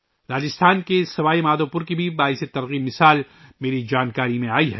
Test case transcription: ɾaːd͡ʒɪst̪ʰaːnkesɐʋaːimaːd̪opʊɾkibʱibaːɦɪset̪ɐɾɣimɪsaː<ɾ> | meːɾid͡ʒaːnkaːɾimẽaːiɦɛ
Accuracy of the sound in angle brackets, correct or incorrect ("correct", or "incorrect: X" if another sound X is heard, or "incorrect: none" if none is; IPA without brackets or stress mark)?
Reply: incorrect: l